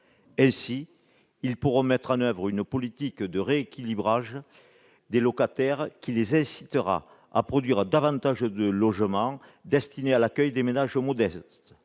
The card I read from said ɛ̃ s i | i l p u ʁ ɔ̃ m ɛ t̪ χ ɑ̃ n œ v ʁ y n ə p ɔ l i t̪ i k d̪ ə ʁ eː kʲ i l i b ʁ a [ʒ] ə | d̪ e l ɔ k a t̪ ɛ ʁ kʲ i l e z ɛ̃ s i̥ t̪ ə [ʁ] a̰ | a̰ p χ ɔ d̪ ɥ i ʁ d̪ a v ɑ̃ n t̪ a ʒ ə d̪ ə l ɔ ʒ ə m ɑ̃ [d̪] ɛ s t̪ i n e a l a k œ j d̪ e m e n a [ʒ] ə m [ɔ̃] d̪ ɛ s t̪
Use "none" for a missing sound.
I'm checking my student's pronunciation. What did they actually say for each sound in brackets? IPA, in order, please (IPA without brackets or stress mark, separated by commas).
ʒ, ʁ, d̪, ʒ, ɔ